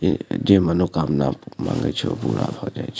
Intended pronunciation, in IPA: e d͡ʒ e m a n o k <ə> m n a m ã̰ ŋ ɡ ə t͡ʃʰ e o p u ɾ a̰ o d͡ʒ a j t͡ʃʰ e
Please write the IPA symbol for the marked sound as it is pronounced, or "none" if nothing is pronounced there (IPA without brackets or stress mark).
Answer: a